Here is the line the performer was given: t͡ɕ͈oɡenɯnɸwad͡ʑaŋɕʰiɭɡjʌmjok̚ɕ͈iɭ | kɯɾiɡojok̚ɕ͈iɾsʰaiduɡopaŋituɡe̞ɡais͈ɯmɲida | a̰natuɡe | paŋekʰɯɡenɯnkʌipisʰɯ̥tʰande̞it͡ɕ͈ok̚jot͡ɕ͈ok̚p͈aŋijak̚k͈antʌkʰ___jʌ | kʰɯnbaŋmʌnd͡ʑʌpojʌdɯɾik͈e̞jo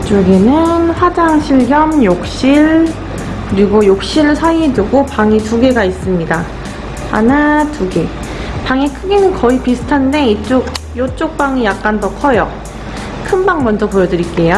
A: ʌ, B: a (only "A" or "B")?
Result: A